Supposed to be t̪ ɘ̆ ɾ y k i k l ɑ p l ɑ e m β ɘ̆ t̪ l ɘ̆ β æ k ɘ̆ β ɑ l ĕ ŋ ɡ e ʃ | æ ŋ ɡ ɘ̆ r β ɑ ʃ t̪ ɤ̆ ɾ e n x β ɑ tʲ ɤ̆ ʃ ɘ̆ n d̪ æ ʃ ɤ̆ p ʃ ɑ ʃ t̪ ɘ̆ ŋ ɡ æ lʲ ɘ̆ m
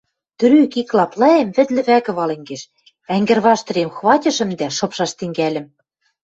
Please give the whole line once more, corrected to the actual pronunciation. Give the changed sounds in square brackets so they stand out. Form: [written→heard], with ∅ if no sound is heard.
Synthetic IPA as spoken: t̪ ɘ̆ ɾ y k i k l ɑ p l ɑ e m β ɘ̆ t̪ l ɘ̆ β æ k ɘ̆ β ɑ l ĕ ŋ ɡ e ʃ | æ ŋ ɡ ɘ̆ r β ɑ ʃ t̪ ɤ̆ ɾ e [n→m] x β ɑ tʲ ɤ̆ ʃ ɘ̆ [n→m] d̪ æ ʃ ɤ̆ p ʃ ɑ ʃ t̪ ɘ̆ ŋ ɡ æ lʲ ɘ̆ m